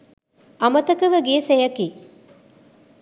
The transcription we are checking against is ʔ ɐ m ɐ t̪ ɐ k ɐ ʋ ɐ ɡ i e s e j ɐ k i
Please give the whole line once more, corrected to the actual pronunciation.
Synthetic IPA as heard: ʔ ɐ m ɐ t̪ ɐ k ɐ ʋ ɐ ɡ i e s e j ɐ k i